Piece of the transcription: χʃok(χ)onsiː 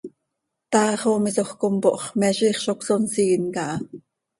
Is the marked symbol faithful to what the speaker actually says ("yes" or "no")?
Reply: no